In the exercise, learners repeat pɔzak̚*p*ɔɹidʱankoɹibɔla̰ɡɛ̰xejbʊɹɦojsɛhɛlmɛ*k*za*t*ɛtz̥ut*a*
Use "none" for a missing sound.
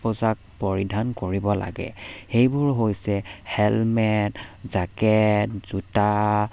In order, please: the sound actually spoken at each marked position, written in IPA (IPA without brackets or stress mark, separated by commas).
p, t, k, a